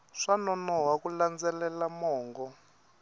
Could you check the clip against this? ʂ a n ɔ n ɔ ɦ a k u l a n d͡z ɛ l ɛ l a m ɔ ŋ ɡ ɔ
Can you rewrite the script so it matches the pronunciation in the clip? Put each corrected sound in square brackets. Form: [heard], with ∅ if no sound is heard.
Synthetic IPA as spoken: ʂ a n ɔ n ɔ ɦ a k u l a n d͡z ɛ l ɛ l a m [ɔː] ŋ ɡ ɔ